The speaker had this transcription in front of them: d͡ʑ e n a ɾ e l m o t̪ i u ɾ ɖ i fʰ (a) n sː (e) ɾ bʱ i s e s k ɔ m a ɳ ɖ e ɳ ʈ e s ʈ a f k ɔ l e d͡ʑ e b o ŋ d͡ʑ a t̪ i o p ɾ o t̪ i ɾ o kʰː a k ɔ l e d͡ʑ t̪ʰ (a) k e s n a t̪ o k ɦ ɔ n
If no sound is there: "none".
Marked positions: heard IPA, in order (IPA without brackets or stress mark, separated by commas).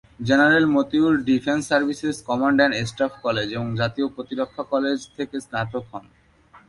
e, a, e